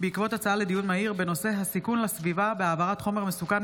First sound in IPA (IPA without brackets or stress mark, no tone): b